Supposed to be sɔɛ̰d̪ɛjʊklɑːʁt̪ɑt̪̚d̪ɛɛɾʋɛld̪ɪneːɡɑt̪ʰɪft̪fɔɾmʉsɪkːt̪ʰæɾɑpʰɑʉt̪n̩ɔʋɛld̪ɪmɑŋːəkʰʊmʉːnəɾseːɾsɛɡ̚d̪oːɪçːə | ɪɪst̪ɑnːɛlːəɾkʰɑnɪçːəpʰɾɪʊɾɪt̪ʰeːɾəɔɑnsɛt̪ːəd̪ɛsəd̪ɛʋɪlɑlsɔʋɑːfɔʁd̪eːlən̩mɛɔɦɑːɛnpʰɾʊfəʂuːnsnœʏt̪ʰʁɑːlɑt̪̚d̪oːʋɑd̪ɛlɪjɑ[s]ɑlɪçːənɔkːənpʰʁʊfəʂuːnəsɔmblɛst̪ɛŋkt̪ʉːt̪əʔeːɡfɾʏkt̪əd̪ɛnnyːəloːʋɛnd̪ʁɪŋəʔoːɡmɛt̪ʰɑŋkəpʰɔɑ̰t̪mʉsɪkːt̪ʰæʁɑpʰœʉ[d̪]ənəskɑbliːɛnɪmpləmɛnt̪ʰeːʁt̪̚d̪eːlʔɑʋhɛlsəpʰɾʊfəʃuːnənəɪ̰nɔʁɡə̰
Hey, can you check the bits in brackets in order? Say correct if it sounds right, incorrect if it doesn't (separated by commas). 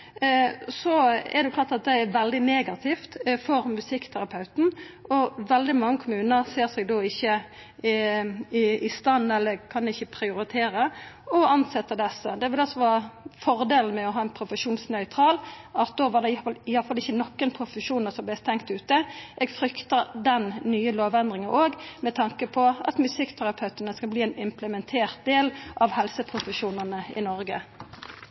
incorrect, incorrect